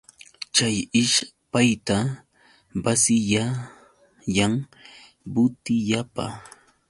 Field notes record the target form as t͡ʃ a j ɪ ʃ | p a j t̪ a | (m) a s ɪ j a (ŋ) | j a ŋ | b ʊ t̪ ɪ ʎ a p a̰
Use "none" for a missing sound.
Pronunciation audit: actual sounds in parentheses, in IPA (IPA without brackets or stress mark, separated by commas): b, none